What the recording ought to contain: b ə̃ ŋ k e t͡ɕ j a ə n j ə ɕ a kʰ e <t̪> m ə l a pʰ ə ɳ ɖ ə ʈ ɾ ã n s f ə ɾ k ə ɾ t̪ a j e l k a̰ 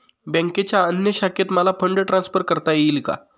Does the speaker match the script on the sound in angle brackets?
yes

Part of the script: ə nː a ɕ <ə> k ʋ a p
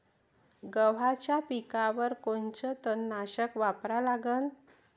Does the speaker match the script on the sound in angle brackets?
yes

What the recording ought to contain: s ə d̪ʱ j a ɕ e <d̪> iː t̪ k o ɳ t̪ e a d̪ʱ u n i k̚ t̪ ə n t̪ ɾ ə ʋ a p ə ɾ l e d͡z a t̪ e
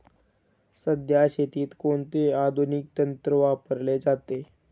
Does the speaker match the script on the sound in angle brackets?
no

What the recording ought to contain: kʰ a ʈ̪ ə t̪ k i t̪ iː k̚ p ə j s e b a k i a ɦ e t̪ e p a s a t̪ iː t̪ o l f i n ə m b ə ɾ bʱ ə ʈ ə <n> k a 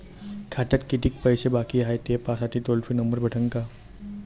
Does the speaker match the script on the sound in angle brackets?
no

